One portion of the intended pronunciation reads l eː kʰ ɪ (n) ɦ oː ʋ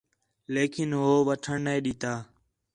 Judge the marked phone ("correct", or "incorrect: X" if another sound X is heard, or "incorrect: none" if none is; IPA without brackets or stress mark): correct